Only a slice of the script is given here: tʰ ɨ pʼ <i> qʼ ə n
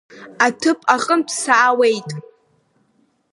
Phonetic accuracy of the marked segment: incorrect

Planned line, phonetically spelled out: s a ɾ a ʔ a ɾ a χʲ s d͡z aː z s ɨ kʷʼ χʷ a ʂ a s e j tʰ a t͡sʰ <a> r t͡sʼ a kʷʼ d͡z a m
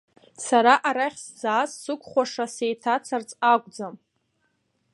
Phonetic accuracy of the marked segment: correct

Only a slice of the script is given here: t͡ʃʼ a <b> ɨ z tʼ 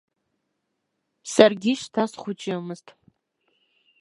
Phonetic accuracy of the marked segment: incorrect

